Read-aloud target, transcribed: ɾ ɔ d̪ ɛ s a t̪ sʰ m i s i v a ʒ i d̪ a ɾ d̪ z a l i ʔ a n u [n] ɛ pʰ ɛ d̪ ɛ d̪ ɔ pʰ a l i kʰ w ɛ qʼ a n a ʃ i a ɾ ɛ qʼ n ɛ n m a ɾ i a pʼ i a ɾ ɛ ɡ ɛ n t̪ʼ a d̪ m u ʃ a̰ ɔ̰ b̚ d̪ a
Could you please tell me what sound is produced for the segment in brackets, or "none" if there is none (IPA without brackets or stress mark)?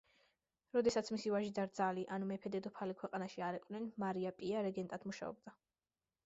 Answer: m